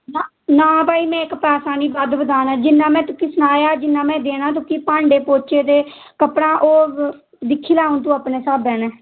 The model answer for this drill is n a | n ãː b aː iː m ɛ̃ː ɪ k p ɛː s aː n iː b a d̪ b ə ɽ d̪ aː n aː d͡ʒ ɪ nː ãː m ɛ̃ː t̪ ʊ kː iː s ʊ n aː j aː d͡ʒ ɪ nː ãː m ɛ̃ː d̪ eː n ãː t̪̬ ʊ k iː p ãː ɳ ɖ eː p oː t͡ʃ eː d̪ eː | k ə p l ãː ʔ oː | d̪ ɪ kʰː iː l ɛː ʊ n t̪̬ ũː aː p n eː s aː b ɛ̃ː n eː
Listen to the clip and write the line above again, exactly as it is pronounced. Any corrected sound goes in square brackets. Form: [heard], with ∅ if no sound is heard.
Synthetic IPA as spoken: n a | n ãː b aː iː m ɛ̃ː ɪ k p ɛː s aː n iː b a d̪ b ə [∅] d̪ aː n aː d͡ʒ ɪ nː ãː m ɛ̃ː t̪ ʊ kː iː s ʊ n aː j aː d͡ʒ ɪ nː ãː m ɛ̃ː d̪ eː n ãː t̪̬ ʊ k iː p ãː ɳ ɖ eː p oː t͡ʃ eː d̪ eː | k ə p [ɽ] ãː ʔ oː | d̪ ɪ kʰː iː l [aː] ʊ n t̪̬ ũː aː p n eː s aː b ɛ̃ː n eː

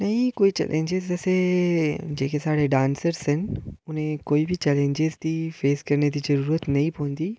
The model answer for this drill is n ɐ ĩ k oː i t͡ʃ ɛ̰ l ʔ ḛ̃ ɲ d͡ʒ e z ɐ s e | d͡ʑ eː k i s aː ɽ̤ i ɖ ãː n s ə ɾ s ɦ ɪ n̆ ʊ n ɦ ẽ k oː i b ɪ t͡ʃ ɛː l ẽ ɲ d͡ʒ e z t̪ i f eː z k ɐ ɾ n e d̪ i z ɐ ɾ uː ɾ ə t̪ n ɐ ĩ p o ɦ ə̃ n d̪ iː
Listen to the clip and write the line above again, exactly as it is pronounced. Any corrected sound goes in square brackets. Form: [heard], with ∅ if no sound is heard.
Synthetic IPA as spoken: n ɐ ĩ k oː i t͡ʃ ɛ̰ l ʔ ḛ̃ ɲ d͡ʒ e z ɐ s e | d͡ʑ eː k [e] s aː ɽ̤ [e] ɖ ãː n s ə ɾ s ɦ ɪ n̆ ʊ n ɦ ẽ k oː i b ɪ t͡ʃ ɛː l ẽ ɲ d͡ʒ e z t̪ i f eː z k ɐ ɾ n e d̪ i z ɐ ɾ uː ɾ ə t̪ n ɐ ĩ p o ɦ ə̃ n d̪ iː

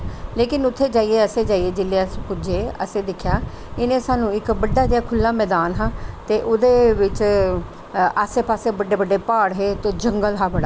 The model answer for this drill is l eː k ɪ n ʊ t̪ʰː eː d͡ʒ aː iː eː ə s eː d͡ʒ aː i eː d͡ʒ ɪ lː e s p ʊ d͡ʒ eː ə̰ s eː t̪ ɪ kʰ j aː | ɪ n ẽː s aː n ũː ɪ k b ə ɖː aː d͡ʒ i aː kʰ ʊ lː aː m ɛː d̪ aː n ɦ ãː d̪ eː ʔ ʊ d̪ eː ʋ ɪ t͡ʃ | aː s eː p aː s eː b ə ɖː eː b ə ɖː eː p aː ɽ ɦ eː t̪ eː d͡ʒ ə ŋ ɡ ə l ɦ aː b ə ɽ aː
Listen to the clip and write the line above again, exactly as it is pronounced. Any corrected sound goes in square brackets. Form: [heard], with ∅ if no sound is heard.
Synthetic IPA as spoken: l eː k ɪ n ʊ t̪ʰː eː d͡ʒ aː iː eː ə s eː d͡ʒ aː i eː d͡ʒ ɪ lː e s p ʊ d͡ʒ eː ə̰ s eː [d̪] ɪ kʰ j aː | ɪ n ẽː s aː n ũː ɪ k b ə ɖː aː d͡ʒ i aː kʰ ʊ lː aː m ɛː d̪ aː n ɦ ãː [t̪] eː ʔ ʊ d̪ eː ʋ ɪ t͡ʃ | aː s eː p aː s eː b ə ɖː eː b ə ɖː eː p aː ɽ ɦ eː t̪ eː d͡ʒ ə ŋ ɡ ə l ɦ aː b ə ɽ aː

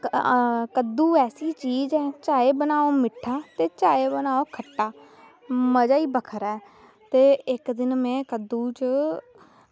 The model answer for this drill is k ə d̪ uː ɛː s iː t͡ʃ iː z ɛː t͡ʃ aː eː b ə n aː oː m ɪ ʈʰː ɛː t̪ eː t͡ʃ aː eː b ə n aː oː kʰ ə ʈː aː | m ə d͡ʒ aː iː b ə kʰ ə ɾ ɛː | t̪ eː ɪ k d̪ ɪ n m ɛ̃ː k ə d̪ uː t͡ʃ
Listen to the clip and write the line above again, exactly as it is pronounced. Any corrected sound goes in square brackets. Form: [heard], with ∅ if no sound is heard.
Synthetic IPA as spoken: k ə d̪ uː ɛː s iː t͡ʃ iː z ɛː t͡ʃ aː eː b ə n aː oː m ɪ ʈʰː [aː] t̪ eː t͡ʃ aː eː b ə n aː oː kʰ ə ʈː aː | m ə d͡ʒ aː iː b ə kʰ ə ɾ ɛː | t̪ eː ɪ k d̪ ɪ n m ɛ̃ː k ə d̪ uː t͡ʃ

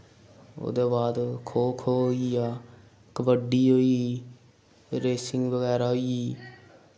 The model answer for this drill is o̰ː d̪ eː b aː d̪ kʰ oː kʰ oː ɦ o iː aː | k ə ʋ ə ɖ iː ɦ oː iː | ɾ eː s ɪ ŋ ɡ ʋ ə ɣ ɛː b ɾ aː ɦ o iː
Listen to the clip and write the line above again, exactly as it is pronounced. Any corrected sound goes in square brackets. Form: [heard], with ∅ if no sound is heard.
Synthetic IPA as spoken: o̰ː d̪ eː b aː d̪ kʰ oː kʰ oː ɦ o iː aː | k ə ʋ ə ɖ iː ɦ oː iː | ɾ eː s ɪ ŋ ɡ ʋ ə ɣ ɛː [∅] ɾ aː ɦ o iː

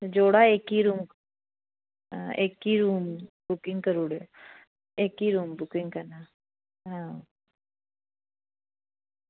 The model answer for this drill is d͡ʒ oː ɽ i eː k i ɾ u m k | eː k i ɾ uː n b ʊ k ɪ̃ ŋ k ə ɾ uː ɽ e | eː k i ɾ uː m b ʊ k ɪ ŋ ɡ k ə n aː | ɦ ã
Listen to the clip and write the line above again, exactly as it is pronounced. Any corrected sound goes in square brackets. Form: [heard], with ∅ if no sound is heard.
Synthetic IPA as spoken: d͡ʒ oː ɽ [a] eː k i ɾ u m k | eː k i ɾ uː [m] b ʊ k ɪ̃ ŋ k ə ɾ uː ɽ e | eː k i ɾ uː m b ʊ k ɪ ŋ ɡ k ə n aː | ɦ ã

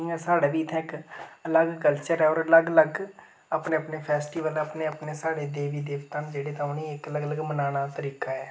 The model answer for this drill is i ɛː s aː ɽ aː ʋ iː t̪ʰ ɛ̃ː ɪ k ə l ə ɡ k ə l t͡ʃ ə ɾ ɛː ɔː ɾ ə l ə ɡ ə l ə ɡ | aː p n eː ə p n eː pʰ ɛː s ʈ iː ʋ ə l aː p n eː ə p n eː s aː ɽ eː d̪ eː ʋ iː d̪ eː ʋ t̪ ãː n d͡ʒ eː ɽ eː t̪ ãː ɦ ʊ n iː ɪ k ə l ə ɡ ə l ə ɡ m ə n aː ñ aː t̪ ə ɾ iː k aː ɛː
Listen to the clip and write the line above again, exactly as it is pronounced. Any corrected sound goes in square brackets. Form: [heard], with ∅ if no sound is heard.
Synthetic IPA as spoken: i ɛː s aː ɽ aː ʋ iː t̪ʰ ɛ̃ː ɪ k ə l ə ɡ k ə l t͡ʃ ə ɾ ɛː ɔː ɾ ə l ə ɡ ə l ə ɡ | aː p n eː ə p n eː pʰ ɛː s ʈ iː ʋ ə l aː p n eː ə p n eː s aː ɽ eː d̪ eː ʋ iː d̪ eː ʋ t̪ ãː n d͡ʒ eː ɽ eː t̪ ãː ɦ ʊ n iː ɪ k ə l ə ɡ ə l ə ɡ m ə n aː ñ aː t̪ ə ɾ iː k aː ɛː

